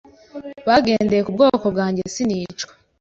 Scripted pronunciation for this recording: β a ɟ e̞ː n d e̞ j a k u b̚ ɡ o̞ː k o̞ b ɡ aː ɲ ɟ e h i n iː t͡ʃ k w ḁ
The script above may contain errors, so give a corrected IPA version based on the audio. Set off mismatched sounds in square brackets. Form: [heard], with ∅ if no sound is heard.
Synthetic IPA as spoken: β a [ɡ] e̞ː n d e̞ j [e] k u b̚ ɡ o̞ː k o̞ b ɡ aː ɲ ɟ e [s] i n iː t͡ʃ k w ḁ